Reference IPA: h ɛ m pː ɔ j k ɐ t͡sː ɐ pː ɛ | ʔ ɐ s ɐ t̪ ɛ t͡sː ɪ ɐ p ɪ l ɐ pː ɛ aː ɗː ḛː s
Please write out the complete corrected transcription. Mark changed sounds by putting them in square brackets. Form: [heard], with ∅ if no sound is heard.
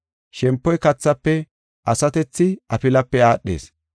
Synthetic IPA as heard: [ʃ] ɛ m pː ɔ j k ɐ t͡sː ɐ pː ɛ | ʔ ɐ s ɐ t̪ ɛ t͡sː ɪ ɐ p ɪ l ɐ pː ɛ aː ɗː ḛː s